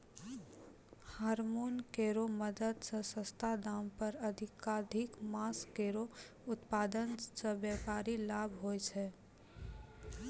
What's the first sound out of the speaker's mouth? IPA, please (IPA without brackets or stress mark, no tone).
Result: h